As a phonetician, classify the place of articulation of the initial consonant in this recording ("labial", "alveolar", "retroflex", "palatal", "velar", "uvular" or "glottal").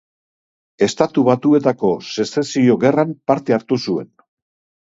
alveolar